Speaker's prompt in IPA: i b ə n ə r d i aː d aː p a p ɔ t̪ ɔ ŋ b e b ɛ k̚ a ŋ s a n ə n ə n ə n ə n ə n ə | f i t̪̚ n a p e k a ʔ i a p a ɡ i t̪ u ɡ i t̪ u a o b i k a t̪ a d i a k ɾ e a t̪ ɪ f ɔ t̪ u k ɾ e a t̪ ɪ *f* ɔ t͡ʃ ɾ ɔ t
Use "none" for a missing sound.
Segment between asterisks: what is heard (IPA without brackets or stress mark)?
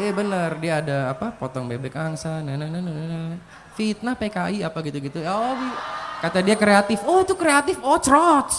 f